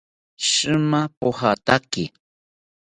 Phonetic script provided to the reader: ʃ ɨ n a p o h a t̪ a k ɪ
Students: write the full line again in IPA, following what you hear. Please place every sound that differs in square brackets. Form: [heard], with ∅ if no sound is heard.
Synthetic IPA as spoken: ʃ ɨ [m] a p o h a t̪ a k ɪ